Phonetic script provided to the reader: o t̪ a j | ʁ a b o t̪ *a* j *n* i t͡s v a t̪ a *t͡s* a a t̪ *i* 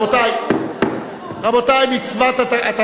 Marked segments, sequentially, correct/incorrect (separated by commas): correct, incorrect, incorrect, incorrect